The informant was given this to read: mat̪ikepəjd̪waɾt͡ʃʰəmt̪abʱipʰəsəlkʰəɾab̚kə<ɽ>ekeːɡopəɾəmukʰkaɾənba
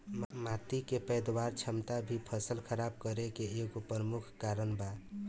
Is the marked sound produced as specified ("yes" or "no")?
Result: no